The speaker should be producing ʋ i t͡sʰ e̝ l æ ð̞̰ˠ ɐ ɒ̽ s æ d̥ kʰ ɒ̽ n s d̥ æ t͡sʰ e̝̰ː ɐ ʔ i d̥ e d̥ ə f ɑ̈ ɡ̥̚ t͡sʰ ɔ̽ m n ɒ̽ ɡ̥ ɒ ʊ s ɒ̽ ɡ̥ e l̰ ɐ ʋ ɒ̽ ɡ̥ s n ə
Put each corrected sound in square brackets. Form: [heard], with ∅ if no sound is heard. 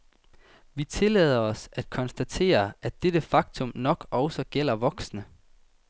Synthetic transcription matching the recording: ʋ i t͡sʰ e̝ l [ɛ] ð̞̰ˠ ɐ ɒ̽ s æ d̥ kʰ ɒ̽ n s d̥ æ t͡sʰ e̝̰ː ɐ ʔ [æ] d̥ e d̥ ə f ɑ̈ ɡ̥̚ t͡sʰ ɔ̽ m n ɒ̽ ɡ̥ ɒ ʊ s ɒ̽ ɡ̥ e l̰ ɐ ʋ ɒ̽ ɡ̥ s n ə